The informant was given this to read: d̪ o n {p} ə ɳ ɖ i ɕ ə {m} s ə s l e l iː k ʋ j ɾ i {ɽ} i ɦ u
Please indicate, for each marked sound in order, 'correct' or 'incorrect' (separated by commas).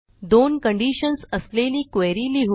incorrect, incorrect, incorrect